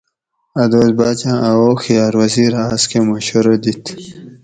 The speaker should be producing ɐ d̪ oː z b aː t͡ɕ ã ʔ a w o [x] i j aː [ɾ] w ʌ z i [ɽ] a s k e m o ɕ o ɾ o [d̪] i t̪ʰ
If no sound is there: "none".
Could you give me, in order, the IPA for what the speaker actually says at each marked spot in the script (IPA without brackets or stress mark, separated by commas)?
x, ɾ, ɾ, d̪